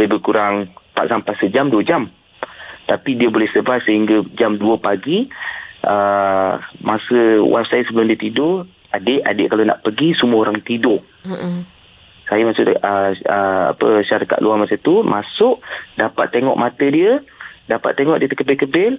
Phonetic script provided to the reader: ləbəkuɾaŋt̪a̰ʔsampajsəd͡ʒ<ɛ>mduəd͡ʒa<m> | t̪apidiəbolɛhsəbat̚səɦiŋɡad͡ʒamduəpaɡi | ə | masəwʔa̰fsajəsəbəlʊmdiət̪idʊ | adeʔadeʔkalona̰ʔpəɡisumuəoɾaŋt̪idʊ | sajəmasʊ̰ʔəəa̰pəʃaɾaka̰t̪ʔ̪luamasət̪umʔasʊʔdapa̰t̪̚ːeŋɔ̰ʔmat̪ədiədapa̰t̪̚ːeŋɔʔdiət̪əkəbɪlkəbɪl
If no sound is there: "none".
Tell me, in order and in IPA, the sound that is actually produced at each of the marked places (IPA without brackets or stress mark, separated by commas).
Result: a, m